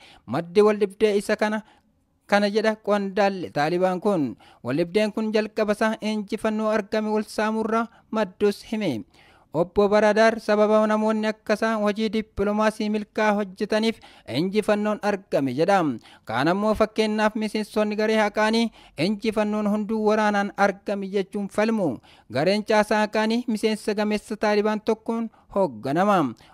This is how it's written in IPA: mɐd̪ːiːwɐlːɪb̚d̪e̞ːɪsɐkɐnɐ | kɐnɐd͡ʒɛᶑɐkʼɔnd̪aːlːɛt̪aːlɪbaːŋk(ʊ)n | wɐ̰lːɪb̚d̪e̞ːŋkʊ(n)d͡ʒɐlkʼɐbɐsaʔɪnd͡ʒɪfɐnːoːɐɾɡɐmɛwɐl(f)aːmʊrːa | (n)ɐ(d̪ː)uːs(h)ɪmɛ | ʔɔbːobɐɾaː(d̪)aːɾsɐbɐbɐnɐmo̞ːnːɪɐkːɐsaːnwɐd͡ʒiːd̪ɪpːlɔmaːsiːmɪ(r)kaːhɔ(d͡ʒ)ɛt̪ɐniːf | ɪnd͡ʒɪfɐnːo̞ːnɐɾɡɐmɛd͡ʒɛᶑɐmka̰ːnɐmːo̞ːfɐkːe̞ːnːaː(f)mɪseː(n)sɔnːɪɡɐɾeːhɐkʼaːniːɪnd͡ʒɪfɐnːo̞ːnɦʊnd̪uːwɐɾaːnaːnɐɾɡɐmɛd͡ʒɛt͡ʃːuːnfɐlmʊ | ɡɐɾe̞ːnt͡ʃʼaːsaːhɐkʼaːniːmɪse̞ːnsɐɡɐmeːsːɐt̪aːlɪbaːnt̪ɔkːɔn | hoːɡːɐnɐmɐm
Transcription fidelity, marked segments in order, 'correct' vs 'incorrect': correct, correct, incorrect: s, incorrect: m, correct, correct, correct, incorrect: l, incorrect: d͡ʒː, correct, correct

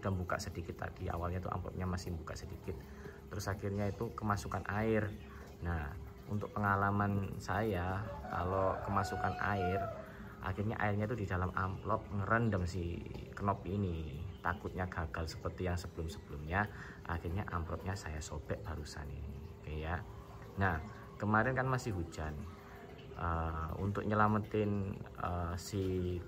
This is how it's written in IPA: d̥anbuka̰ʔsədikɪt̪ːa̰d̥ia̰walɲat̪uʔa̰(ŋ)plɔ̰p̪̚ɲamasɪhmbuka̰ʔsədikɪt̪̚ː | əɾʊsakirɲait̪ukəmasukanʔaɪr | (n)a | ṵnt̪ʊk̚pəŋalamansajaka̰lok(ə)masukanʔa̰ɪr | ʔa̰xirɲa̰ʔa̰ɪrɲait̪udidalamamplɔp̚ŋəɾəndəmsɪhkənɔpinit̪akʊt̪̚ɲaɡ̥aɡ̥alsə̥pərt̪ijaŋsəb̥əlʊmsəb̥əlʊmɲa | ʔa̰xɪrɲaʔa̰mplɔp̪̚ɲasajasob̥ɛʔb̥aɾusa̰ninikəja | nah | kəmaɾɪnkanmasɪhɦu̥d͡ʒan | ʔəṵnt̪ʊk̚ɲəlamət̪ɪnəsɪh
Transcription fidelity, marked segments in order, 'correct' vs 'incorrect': incorrect: m, correct, correct

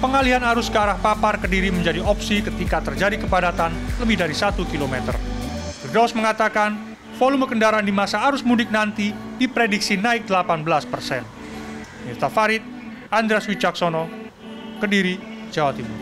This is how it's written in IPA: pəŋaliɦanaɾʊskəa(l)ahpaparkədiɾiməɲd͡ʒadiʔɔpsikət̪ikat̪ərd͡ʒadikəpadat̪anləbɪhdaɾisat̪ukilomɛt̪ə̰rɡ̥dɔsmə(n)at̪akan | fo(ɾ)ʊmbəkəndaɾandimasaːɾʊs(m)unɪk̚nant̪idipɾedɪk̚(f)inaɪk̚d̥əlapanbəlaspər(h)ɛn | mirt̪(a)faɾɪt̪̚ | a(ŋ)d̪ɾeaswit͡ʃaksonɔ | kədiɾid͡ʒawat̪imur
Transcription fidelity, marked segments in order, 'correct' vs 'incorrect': incorrect: ɾ, incorrect: ŋ, incorrect: l, correct, incorrect: s, incorrect: s, correct, incorrect: n

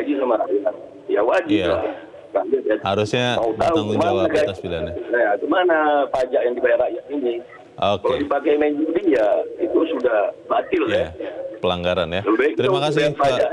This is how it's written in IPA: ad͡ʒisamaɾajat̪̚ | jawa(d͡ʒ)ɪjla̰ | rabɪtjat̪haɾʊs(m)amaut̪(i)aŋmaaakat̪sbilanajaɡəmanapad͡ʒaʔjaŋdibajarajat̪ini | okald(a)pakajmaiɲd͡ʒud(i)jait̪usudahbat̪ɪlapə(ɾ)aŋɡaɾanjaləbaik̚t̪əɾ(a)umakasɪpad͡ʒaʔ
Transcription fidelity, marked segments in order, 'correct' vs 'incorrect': correct, incorrect: ɲ, incorrect: a, incorrect: i, correct, incorrect: l, incorrect: i

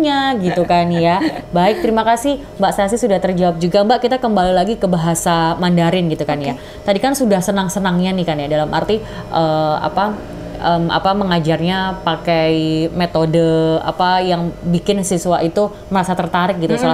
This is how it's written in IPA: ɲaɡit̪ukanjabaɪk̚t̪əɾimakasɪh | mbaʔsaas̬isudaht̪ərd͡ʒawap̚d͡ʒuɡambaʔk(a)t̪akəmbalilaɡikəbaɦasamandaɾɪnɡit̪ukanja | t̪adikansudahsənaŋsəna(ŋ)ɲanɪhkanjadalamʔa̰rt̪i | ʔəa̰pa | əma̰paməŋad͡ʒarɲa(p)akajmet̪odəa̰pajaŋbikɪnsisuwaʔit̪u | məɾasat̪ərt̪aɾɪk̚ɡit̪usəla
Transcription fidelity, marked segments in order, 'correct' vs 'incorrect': incorrect: i, correct, correct

